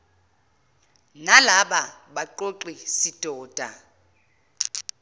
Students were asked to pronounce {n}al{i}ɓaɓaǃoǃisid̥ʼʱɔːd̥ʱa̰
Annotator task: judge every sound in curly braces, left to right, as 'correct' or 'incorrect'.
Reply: correct, incorrect

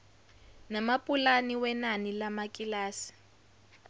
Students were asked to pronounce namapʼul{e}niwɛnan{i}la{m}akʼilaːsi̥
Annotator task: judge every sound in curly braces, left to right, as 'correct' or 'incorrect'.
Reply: incorrect, correct, correct

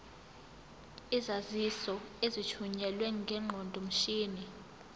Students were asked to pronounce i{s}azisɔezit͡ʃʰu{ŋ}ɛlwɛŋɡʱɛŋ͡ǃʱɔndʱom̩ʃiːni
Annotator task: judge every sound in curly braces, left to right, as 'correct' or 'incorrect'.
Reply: incorrect, incorrect

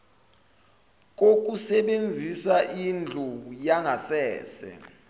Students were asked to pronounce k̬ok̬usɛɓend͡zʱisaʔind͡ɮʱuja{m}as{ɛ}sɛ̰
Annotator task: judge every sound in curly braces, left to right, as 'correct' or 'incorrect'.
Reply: incorrect, incorrect

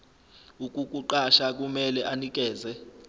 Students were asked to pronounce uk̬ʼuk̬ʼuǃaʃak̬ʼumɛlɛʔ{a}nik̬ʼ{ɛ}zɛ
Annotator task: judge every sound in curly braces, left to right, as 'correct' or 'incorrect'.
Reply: correct, incorrect

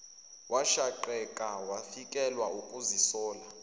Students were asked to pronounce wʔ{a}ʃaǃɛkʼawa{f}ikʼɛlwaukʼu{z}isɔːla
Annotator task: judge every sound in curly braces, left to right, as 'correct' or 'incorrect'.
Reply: correct, correct, correct

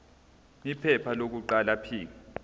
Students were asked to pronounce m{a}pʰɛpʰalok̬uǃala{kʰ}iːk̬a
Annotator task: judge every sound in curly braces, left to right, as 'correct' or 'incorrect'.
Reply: incorrect, incorrect

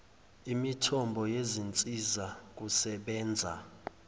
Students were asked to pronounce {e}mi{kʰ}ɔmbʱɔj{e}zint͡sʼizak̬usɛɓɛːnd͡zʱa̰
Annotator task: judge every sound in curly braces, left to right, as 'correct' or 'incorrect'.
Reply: incorrect, incorrect, correct

